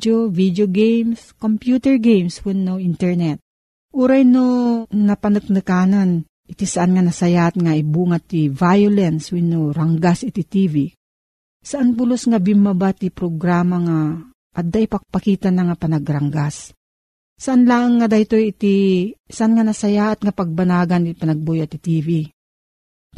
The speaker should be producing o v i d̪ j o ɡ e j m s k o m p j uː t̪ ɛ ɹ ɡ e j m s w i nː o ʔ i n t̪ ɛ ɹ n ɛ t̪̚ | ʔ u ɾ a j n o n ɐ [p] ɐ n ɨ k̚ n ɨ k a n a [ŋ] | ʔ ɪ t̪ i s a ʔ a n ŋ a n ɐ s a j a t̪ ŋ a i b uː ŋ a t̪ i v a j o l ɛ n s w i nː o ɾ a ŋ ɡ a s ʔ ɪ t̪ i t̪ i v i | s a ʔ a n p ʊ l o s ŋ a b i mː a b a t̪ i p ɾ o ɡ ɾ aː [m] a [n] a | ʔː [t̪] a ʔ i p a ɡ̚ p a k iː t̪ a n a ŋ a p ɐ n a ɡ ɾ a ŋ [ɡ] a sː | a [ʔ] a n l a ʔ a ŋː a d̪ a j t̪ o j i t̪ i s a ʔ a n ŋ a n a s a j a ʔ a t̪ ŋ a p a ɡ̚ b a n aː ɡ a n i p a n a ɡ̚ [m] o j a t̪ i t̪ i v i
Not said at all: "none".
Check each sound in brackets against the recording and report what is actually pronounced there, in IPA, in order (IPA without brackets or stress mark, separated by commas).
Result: p, n, m, ŋ, d̪, ɡ, ʔ, b